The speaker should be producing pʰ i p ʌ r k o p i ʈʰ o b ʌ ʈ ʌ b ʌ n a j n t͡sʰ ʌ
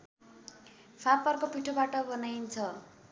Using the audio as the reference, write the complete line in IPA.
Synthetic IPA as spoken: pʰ a p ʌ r k o p i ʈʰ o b a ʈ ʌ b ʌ n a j n t͡sʰ ʌ